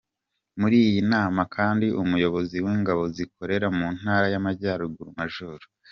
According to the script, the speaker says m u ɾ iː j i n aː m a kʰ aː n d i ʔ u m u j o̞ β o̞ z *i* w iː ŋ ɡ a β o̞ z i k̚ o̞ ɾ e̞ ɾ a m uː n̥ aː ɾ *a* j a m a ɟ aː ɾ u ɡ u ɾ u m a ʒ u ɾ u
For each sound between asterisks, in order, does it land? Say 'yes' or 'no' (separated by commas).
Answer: yes, yes